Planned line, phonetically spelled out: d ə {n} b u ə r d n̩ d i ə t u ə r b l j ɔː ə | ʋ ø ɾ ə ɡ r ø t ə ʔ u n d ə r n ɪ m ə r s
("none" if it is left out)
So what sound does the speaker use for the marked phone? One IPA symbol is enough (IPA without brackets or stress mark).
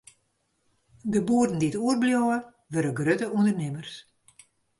none